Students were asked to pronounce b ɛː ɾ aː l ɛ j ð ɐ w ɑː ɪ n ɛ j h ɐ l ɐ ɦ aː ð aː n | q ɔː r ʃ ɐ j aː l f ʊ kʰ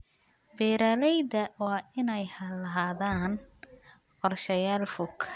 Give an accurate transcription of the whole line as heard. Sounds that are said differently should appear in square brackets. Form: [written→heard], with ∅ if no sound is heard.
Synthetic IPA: b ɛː ɾ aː l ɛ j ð ɐ w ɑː ɪ n ɛ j h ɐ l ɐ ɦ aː ð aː n | q [ɔː→ɔ] r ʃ ɐ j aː l f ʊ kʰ